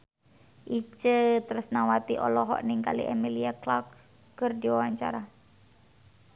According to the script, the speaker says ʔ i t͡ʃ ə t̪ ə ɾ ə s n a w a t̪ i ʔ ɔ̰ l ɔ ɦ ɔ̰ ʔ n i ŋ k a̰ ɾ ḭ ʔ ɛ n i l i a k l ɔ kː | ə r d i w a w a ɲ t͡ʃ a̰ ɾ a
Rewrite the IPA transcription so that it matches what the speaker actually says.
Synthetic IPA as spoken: ʔ i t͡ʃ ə t̪ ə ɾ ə s n a w a t̪ i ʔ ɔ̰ l ɔ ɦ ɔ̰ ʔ n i ŋ k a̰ l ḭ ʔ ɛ m i l i a k l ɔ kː | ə r d i w a w a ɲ t͡ʃ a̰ ɾ a